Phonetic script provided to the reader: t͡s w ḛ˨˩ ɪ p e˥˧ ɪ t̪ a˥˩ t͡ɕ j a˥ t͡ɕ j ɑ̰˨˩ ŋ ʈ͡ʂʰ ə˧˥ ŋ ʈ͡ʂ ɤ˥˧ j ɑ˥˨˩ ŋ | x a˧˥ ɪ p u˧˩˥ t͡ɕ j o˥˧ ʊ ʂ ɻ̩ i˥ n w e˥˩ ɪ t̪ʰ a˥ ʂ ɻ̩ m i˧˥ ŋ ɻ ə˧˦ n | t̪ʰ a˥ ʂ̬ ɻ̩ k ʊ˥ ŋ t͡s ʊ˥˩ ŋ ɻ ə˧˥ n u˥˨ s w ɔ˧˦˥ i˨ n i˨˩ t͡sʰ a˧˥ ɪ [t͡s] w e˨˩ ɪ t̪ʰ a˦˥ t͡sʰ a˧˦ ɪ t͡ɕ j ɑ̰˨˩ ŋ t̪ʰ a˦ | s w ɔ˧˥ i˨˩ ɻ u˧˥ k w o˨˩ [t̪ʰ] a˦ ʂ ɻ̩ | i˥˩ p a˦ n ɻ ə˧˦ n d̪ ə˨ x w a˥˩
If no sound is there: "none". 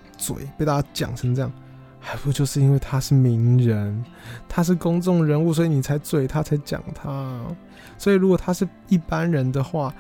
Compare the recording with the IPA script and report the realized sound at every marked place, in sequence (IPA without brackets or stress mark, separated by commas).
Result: t͡s, t̪ʰ